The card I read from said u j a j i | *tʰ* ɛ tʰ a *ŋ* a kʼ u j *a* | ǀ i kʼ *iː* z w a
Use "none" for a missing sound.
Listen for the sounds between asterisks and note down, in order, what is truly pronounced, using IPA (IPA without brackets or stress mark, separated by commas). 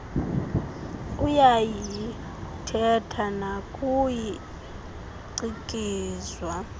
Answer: tʰ, n, i, iː